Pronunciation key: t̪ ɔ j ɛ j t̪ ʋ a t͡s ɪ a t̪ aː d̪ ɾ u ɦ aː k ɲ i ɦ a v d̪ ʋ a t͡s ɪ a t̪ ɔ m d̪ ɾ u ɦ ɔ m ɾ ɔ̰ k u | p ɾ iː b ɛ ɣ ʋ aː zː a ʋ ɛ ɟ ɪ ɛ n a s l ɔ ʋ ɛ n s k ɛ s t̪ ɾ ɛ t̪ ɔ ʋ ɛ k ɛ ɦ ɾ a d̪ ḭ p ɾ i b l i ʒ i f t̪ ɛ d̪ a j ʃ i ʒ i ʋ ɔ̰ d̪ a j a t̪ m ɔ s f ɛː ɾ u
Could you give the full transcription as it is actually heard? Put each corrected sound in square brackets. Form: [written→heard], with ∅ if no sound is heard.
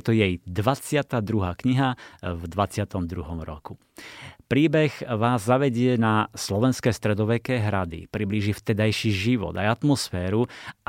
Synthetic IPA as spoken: t̪ ɔ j ɛ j [t̪→d̪] ʋ a t͡s ɪ a t̪ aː d̪ ɾ u ɦ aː k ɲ i ɦ a v d̪ ʋ a t͡s ɪ a t̪ ɔ m d̪ ɾ u ɦ ɔ m ɾ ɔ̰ k u | p ɾ iː b ɛ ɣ ʋ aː zː a ʋ ɛ ɟ ɪ ɛ n a s l ɔ ʋ ɛ n s k ɛ s t̪ ɾ ɛ [t̪→d̪] ɔ ʋ ɛ k ɛ ɦ ɾ a d̪ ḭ p ɾ i b l i ʒ i f t̪ ɛ d̪ a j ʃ i ʒ i ʋ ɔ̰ d̪ a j a t̪ m ɔ s f ɛː ɾ u